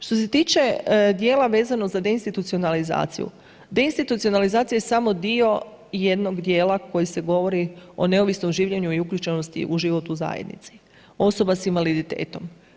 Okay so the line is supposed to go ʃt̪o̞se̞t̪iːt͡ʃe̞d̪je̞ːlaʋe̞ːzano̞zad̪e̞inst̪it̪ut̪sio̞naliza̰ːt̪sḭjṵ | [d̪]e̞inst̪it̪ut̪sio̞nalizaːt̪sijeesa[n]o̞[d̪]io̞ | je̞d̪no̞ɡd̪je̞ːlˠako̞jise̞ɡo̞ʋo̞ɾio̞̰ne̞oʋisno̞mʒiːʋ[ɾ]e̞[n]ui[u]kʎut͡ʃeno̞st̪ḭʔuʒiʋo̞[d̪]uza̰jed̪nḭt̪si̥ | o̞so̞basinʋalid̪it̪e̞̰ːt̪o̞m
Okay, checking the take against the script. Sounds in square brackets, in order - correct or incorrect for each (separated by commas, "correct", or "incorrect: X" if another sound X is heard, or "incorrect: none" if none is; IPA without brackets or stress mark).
correct, incorrect: m, correct, incorrect: ʎ, incorrect: ɲ, correct, incorrect: t̪